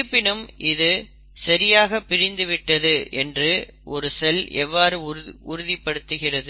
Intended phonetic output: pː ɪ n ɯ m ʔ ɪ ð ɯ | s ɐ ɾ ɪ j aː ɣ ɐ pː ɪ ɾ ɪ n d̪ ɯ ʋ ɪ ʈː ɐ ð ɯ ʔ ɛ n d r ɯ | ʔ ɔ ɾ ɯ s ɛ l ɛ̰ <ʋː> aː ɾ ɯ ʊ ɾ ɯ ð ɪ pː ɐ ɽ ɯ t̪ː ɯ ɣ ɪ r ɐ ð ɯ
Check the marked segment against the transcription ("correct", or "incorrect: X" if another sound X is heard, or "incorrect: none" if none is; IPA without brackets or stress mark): correct